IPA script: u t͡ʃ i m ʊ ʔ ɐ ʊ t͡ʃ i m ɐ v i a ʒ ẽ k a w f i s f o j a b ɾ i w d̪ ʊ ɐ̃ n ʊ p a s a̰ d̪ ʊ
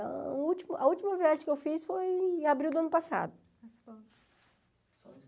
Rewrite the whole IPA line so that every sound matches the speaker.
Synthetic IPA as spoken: u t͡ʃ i m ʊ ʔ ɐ u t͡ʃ i m ɐ v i a ʒ ẽ k e w f i s f o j a b ɾ i w d̪ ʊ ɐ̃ n ʊ p a s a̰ d̪ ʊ